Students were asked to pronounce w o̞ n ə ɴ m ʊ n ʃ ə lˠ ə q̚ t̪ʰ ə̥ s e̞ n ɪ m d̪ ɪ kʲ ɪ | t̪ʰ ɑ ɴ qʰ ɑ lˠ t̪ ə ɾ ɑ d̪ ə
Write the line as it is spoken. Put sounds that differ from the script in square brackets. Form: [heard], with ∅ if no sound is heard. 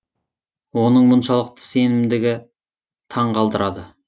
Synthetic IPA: w o̞ n ə ɴ m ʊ n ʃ [ɑ] lˠ ə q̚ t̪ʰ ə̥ s e̞ n ɪ m d̪ ɪ [ɡʲ] ɪ | t̪ʰ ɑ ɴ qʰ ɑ lˠ [d̪] ə ɾ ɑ d̪ ə